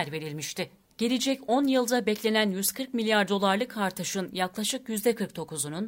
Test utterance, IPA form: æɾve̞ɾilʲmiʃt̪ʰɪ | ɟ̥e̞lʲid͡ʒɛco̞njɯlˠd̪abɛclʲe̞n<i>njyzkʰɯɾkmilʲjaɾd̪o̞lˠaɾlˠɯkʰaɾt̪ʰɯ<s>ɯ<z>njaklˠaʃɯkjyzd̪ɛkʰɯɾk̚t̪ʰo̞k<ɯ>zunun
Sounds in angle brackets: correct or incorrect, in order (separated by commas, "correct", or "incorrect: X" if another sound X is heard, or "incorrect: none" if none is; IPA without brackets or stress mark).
incorrect: æ, incorrect: ʃ, incorrect: none, incorrect: u